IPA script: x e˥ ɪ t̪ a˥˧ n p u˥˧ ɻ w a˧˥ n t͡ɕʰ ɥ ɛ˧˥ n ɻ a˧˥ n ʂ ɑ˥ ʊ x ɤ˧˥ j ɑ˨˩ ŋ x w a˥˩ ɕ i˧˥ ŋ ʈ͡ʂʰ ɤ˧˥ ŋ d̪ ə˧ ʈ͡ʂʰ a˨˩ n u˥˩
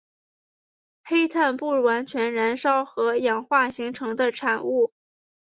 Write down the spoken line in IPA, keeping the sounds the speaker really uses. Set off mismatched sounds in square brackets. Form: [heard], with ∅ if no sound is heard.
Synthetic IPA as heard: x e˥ ɪ [t̪ʰ] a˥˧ n p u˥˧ ɻ w a˧˥ n t͡ɕʰ ɥ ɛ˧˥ n ɻ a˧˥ n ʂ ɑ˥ ʊ x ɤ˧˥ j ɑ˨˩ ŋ x w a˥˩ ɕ i˧˥ ŋ ʈ͡ʂʰ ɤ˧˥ ŋ d̪ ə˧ ʈ͡ʂʰ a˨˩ n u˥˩